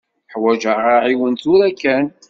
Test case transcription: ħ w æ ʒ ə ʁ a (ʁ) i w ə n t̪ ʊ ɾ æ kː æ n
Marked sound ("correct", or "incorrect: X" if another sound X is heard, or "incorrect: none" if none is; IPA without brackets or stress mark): incorrect: ʕ